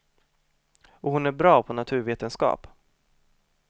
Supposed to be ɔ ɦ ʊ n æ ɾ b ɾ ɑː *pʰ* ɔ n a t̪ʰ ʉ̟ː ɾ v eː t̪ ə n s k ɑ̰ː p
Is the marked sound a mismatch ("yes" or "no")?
no